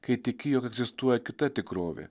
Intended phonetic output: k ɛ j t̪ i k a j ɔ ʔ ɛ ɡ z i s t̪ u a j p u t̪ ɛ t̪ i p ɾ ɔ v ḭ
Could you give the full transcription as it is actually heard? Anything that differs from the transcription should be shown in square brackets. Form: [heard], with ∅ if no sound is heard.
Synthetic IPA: k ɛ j t̪ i k [i] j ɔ [k] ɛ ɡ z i s t̪ u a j [k] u t̪ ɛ t̪ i [k] ɾ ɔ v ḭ